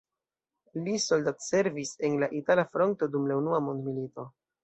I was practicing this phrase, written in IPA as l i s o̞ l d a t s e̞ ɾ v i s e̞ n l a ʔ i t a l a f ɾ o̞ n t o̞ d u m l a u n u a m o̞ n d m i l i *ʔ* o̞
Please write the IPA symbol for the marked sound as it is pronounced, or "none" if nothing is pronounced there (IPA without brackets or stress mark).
t